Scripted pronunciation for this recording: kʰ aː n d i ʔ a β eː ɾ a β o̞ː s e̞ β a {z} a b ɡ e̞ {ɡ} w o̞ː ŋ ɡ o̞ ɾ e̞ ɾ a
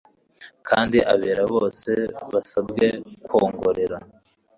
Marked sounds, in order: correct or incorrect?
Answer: incorrect: s, incorrect: k

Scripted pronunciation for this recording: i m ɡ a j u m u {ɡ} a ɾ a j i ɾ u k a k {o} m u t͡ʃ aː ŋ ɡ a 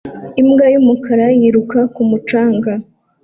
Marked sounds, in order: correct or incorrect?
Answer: incorrect: k, incorrect: u

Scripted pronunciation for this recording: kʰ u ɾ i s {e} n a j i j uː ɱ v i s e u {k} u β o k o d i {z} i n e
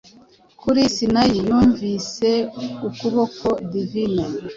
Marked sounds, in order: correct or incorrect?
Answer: incorrect: i, correct, incorrect: v

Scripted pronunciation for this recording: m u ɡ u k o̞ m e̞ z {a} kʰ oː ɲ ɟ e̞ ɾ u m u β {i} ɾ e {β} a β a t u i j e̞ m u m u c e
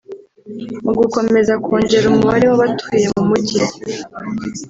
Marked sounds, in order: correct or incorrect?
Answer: correct, incorrect: a, incorrect: w

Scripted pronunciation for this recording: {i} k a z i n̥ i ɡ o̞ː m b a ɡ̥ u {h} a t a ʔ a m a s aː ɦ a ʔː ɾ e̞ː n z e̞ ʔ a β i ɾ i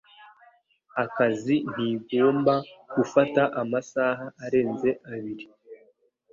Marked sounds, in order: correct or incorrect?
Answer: incorrect: a, incorrect: f

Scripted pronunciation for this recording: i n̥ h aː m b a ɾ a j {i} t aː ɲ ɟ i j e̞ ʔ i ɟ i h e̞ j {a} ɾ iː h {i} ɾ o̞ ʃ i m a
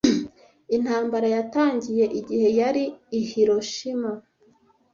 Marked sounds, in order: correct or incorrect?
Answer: incorrect: a, correct, correct

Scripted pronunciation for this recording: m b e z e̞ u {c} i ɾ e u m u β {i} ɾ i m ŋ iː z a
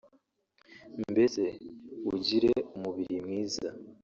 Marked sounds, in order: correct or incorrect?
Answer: incorrect: ɟ, correct

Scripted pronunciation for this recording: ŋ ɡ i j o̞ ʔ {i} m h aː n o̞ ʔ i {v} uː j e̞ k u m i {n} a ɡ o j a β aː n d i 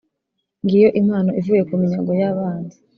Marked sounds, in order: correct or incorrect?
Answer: correct, correct, incorrect: ɲ

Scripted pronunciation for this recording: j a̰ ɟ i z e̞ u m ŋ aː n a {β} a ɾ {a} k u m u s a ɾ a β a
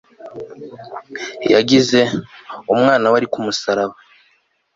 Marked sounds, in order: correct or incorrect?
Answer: incorrect: w, incorrect: i

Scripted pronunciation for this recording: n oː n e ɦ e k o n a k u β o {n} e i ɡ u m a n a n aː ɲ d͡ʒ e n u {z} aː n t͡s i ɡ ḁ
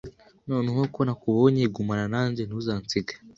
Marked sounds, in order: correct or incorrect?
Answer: incorrect: ɲ, correct

